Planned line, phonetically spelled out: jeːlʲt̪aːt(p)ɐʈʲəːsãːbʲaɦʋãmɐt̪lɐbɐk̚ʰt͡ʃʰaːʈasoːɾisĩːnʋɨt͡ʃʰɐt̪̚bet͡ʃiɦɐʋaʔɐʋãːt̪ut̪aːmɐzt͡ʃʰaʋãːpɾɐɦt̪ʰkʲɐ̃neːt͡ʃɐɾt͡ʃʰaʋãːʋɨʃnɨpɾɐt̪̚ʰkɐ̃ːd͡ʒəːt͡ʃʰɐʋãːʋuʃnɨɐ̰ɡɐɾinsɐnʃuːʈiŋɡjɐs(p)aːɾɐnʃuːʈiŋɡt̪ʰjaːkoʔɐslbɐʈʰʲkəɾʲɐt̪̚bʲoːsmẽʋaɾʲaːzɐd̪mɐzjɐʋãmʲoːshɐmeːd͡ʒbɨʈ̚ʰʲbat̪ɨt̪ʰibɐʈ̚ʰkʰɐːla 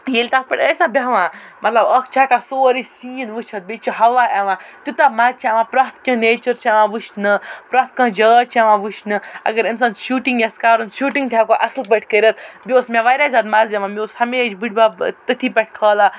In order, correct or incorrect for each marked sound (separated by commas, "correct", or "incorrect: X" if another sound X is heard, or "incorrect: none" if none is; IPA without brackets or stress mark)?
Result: correct, incorrect: k